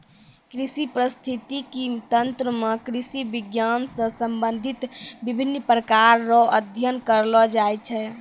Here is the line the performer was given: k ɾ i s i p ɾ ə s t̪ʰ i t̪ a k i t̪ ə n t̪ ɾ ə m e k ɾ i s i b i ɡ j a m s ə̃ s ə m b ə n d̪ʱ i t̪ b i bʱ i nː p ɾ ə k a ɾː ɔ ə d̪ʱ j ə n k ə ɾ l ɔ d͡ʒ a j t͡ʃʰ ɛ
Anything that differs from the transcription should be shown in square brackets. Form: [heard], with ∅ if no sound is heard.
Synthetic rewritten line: k ɾ i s i p ɾ ə s t̪ʰ i t̪ [i] k i t̪ ə n t̪ ɾ ə m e k ɾ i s i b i ɡ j a [n] s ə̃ s ə m b ə n d̪ʱ i t̪ b i bʱ i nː p ɾ ə k a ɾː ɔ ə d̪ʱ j ə n k ə ɾ l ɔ d͡ʒ a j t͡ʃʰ ɛ